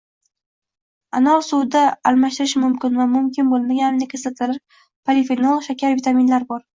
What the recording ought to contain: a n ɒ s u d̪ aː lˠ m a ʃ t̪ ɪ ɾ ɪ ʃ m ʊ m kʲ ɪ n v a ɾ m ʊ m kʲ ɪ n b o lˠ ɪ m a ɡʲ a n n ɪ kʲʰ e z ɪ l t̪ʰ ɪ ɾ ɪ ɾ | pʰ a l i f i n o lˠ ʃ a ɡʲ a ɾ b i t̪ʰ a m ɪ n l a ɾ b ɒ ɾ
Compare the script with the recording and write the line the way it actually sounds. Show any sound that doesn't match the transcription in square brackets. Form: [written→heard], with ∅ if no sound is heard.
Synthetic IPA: a n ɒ s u d̪ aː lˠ m a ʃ t̪ ɪ ɾ ɪ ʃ m ʊ m kʲ ɪ n v a [ɾ→∅] m ʊ m kʲ ɪ n b o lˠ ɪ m a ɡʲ a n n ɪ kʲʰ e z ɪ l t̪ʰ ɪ ɾ ɪ ɾ | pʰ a l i f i n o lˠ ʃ a [ɡʲ→kʲ] a ɾ [b→v] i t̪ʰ a m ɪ n l a ɾ b ɒ ɾ